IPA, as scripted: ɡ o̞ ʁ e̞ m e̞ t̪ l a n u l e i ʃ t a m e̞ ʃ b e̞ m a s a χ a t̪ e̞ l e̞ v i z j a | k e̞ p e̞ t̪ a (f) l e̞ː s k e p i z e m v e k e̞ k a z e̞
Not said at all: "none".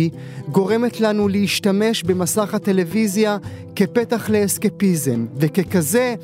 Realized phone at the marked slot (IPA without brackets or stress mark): χ